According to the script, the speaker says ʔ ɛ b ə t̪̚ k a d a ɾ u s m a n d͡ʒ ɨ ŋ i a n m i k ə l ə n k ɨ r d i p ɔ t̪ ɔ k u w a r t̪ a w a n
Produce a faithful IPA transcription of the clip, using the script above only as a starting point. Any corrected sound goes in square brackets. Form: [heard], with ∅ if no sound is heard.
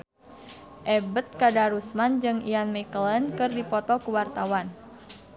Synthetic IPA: ʔ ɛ b ə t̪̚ k a d a ɾ u s m a n d͡ʒ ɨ ŋ i a n m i k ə l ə n k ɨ r d i p ɔ t̪ ɔ k u w a r t̪ a w a n

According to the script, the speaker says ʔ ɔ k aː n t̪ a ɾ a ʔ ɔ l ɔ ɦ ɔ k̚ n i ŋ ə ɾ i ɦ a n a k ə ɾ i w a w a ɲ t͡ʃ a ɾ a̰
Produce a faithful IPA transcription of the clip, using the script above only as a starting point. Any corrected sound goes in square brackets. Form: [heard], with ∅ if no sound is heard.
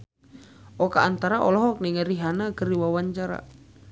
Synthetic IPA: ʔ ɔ k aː n t̪ a ɾ a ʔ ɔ l ɔ ɦ ɔ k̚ n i ŋ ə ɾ i ɦ a n a k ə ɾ i w a w a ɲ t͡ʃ a ɾ a̰

